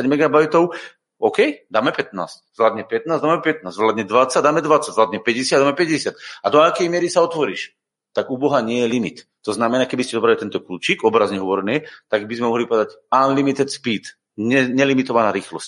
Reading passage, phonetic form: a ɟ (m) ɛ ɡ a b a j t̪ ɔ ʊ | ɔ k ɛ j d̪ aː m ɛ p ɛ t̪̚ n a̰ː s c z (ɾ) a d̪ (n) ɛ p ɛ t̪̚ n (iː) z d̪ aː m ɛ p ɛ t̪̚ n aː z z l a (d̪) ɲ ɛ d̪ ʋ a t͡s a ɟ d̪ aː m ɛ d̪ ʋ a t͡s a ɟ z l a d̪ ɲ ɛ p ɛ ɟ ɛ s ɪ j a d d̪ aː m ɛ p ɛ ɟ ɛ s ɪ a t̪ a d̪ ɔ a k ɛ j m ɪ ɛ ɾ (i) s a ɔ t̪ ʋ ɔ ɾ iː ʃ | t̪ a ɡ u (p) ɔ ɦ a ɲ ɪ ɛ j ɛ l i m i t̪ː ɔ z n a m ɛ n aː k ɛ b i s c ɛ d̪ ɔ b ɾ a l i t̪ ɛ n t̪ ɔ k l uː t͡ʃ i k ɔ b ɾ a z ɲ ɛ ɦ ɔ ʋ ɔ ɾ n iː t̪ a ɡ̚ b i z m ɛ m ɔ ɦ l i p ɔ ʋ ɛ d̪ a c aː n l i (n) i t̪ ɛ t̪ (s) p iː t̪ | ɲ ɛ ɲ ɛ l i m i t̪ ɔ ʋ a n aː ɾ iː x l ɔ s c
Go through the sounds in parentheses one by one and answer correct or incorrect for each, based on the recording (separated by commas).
correct, incorrect, incorrect, incorrect, correct, correct, incorrect, incorrect, correct